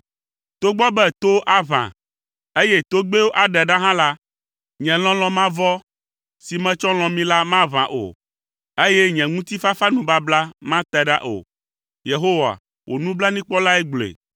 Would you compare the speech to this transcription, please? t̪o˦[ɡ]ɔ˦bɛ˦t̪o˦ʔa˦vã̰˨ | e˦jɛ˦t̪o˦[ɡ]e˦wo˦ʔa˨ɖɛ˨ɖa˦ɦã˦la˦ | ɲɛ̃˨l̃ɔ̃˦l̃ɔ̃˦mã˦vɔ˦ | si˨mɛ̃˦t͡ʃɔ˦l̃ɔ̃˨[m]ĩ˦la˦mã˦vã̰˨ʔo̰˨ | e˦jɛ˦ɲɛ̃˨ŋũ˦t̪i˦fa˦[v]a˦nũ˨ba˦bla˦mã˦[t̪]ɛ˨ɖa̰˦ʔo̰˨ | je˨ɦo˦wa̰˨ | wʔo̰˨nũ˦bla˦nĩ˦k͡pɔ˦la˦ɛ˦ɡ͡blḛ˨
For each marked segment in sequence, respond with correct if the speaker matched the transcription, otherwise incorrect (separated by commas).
incorrect, incorrect, correct, incorrect, correct